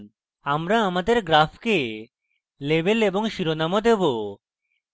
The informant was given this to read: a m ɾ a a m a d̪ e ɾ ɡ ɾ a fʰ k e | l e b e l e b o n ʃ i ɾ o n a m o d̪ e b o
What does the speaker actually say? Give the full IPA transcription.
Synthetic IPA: a m ɾ a a m a d̪ e ɾ ɡ ɾ a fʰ k e | l e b e l e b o ŋ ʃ i ɾ o n a m o d̪ e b o